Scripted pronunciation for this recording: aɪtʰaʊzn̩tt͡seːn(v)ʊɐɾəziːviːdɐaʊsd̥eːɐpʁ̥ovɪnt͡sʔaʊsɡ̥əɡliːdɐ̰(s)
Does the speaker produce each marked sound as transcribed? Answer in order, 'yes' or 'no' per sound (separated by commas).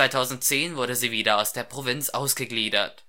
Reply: yes, no